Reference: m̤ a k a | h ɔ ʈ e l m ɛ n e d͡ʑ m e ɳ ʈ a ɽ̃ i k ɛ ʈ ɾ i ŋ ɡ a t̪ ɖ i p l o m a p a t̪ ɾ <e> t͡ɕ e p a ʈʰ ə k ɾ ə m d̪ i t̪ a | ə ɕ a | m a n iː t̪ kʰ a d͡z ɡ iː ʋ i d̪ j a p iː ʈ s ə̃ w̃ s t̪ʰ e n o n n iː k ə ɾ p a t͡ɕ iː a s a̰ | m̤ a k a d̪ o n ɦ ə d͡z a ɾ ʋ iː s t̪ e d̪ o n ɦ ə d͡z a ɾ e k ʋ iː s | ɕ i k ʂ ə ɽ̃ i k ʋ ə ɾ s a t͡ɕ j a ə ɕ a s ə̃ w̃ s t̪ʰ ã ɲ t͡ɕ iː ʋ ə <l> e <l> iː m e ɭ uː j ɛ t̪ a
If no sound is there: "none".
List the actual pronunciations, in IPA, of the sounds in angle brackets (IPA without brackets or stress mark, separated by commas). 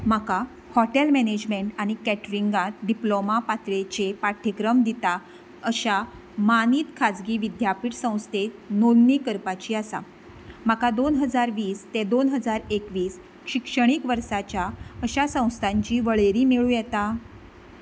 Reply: e, ɭ, ɾ